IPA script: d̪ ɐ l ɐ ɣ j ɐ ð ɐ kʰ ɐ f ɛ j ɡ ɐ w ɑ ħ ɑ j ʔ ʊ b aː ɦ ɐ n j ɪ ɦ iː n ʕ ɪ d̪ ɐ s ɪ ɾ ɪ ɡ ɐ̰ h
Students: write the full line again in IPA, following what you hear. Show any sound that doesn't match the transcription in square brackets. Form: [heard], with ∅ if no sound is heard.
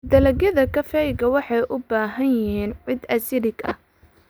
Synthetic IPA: d̪ ɐ l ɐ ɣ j ɐ ð ɐ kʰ ɐ f ɛ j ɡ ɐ w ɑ ħ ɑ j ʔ ʊ b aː ɦ ɐ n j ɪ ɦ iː n ʕ ɪ d̪ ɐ s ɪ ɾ ɪ ɡ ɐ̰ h